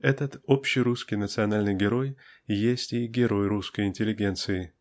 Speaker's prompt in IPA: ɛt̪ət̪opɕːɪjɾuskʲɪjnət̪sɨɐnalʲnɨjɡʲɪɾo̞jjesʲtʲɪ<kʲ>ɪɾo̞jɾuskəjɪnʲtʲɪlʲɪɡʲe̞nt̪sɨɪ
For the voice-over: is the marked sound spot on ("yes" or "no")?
no